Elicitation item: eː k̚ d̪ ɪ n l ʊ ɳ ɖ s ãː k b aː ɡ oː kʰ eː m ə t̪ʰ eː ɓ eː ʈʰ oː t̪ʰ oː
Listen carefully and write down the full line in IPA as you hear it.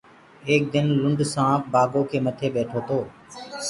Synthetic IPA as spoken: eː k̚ d̪ ɪ n l ʊ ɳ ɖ s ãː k b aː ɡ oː kʰ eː m ə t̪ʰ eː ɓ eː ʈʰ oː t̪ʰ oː